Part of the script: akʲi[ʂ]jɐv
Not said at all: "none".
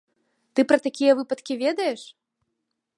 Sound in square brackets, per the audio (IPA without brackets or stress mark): none